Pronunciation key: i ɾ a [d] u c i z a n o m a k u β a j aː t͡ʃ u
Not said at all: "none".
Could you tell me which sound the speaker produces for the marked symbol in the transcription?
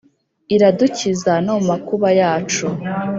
d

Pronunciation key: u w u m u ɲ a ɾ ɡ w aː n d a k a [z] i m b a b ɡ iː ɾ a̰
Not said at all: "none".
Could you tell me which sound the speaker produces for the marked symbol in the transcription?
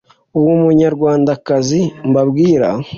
z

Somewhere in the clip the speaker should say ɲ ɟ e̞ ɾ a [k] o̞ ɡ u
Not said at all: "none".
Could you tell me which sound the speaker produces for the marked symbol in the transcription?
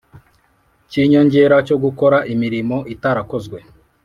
c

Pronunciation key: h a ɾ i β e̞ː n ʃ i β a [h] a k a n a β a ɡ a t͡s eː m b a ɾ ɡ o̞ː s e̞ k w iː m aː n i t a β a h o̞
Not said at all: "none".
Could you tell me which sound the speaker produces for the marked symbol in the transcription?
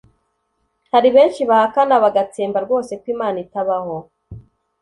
h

